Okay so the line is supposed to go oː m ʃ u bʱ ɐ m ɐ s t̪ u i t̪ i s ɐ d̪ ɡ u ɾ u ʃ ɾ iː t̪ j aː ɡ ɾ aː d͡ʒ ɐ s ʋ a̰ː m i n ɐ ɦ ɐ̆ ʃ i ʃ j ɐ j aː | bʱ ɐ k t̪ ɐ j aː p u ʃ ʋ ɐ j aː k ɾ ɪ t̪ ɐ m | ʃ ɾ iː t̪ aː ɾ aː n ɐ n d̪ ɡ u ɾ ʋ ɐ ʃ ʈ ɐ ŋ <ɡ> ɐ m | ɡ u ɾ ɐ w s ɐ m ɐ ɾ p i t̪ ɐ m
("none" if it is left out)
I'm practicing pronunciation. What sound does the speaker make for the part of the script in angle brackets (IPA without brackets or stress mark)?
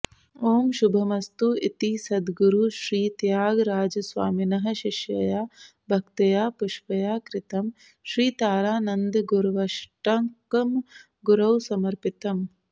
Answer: k